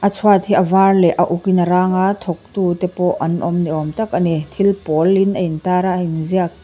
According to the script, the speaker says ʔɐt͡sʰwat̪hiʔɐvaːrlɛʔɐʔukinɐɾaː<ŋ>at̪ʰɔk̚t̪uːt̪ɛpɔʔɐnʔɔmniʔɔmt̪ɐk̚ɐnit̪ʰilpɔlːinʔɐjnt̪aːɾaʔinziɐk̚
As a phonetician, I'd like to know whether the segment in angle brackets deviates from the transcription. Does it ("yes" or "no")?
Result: no